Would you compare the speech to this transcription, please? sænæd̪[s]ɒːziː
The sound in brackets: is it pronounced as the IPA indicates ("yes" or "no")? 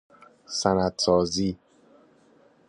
yes